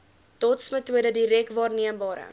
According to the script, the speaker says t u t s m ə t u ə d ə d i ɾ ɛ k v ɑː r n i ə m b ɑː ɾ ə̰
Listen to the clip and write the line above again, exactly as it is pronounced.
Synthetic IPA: t ɔ t s m ə t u ə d ə d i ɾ ɛ k v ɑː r n i ə m b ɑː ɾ ə̰